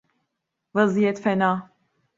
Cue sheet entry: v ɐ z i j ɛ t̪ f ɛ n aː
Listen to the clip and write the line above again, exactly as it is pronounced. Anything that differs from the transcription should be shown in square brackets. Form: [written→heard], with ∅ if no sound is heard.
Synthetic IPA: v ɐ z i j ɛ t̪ f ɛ n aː